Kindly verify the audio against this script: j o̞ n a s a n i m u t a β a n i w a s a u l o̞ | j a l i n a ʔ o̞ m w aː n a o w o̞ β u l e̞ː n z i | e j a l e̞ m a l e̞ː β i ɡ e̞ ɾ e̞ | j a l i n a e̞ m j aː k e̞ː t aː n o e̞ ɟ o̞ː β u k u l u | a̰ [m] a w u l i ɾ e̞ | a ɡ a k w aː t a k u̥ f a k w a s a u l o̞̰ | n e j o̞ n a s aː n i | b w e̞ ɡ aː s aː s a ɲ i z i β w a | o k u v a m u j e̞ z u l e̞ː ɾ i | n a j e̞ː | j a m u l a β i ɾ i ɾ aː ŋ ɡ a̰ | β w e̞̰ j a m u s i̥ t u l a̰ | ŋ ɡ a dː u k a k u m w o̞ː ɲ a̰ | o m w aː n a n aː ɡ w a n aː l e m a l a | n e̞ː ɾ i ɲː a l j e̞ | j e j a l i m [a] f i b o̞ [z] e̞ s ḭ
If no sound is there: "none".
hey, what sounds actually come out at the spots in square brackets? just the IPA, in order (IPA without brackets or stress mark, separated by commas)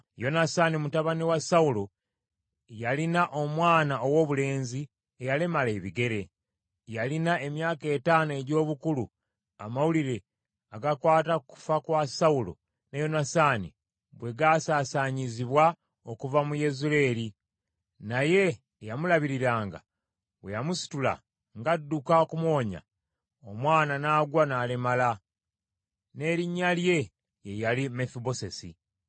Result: m, e, s